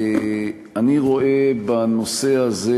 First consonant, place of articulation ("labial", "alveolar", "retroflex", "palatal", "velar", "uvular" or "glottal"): alveolar